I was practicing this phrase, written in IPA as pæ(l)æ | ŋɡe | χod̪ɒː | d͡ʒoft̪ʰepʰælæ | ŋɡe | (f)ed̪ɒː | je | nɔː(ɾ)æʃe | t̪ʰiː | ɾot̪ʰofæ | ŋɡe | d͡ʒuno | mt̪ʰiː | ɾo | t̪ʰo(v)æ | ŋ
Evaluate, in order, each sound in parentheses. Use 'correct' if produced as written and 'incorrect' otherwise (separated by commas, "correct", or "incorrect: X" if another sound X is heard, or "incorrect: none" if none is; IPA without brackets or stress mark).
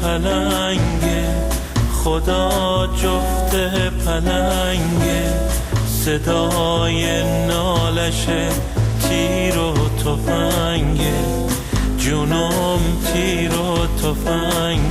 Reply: correct, incorrect: s, incorrect: l, incorrect: f